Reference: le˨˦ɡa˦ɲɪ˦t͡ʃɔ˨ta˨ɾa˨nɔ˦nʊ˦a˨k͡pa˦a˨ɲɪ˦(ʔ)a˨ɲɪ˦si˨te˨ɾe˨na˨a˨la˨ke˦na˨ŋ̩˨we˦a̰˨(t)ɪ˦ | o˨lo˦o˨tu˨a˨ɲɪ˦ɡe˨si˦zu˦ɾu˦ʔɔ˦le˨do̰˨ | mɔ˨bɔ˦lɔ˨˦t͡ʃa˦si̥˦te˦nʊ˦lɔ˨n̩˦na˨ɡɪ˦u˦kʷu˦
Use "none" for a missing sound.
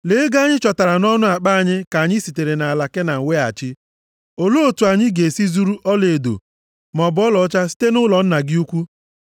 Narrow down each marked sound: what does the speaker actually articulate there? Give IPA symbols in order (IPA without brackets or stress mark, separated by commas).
k, t͡ʃ